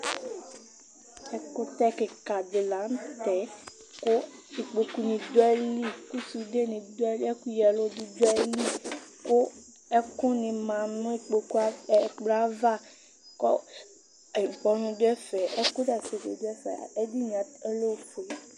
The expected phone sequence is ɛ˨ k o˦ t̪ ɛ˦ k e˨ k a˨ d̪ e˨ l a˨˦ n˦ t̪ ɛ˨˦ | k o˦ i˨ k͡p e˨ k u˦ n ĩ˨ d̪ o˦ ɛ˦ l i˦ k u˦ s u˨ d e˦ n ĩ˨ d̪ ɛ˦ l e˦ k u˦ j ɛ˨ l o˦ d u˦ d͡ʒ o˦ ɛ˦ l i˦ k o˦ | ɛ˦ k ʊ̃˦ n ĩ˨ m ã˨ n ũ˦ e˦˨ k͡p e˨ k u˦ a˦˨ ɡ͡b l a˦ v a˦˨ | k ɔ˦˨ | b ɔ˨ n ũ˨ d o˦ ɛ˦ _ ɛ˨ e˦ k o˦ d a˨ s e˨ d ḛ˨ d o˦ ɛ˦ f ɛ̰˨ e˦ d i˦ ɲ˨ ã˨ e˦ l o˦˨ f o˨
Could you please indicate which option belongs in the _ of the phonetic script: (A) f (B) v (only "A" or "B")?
A